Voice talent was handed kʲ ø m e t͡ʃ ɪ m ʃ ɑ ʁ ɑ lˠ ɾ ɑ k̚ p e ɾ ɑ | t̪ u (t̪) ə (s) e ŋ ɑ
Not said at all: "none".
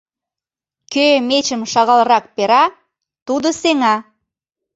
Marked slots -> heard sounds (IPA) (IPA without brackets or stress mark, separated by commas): d̪, s